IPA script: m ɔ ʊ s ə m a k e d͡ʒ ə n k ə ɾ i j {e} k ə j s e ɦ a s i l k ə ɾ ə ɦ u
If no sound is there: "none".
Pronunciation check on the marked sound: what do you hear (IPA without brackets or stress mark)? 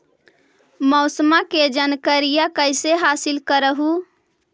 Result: a